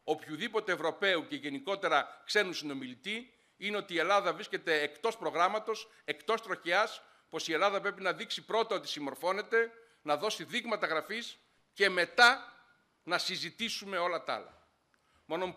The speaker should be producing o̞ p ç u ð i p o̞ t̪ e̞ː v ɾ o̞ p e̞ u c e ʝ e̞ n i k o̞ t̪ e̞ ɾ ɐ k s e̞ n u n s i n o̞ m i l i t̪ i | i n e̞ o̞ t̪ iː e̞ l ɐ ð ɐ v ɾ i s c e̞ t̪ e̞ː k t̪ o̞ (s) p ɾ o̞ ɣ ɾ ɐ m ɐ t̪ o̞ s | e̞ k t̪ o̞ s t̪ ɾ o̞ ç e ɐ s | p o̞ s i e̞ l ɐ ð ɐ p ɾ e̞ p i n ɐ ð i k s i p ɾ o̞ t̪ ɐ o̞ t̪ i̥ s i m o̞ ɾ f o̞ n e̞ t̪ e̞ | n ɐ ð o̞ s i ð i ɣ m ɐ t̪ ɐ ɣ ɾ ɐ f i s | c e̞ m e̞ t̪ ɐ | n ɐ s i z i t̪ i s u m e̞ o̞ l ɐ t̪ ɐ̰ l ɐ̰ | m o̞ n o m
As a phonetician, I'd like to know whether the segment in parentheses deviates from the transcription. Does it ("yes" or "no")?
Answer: no